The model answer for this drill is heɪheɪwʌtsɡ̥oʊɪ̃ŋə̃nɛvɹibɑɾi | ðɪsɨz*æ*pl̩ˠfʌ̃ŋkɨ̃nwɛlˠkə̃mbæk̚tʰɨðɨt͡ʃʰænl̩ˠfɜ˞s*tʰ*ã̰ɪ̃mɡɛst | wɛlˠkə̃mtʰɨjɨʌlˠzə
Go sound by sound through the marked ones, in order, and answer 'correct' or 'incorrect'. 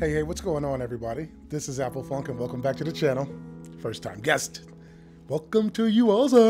correct, correct

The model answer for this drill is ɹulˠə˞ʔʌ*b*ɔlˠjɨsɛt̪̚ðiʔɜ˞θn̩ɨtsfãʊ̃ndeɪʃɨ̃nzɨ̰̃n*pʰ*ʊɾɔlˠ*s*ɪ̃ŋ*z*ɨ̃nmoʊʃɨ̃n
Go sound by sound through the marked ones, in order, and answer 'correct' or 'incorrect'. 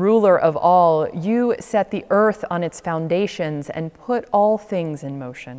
incorrect: v, correct, incorrect: θ, correct

